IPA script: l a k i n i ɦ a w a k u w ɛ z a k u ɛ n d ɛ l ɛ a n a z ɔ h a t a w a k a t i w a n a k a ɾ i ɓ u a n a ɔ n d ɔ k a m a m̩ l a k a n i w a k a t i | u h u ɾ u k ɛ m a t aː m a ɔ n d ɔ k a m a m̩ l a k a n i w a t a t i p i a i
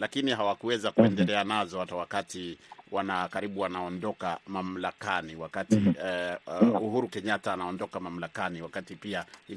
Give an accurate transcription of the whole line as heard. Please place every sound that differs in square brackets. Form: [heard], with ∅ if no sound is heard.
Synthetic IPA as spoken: l a k i n i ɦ a w a k u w ɛ z a k u ɛ n d ɛ l ɛ a n a z ɔ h a t a w a k a t i w a n a k a ɾ i ɓ u a n a ɔ n d ɔ k a m a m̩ l a k a n i w a k a t i | u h u ɾ u k ɛ [ɲ] a t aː [n] a ɔ n d ɔ k a m a m̩ l a k a n i w a [k] a t i p i a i